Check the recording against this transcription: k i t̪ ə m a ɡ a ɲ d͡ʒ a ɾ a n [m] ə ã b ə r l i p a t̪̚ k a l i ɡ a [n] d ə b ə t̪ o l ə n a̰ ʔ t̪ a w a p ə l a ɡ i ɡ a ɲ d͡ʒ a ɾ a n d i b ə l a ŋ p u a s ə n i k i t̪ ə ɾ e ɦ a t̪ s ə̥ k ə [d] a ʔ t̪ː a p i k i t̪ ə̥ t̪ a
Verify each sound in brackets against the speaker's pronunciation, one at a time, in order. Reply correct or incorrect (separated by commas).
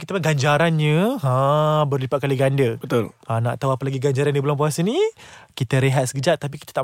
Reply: incorrect, correct, incorrect